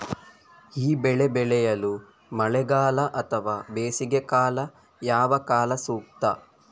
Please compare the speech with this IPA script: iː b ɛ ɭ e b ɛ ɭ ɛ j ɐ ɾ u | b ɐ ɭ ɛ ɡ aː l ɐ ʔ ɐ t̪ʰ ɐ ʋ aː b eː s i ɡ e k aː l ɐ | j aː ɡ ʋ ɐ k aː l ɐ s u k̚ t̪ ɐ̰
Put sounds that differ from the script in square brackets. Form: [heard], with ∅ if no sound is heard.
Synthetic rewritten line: iː b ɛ ɭ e b ɛ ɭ ɛ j ɐ [l] u | [m] ɐ ɭ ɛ ɡ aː l ɐ ʔ ɐ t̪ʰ ɐ ʋ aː b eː s i ɡ e k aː l ɐ | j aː [∅] ʋ ɐ k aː l ɐ s [uː] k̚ t̪ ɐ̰

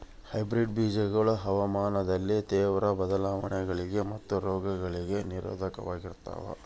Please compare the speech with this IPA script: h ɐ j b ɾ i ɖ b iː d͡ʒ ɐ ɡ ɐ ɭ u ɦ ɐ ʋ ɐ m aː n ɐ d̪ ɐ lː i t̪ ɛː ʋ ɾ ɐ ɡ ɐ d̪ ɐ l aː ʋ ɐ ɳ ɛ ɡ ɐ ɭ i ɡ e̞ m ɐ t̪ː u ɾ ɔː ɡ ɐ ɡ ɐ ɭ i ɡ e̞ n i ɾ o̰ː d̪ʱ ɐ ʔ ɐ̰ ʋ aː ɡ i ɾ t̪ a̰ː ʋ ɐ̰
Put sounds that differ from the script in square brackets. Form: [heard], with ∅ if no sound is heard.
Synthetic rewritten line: h ɐ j b ɾ i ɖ b iː d͡ʒ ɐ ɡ ɐ ɭ u ɦ ɐ ʋ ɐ m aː n ɐ d̪ ɐ lː i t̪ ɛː ʋ ɾ ɐ [b] ɐ d̪ ɐ l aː ʋ ɐ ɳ ɛ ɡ ɐ ɭ i ɡ e̞ m ɐ t̪ː u ɾ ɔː ɡ ɐ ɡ ɐ ɭ i ɡ e̞ n i ɾ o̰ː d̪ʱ ɐ [k] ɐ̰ ʋ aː ɡ i ɾ t̪ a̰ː ʋ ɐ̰

